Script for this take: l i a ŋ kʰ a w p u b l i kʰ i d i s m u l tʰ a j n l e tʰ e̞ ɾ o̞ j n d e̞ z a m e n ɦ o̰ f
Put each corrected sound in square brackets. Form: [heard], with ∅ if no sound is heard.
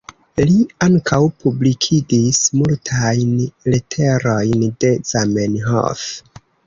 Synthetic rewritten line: l i a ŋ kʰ a w p u b l i kʰ i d i s m u l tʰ a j n l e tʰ e̞ ɾ o̞ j n d e̞ z a m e n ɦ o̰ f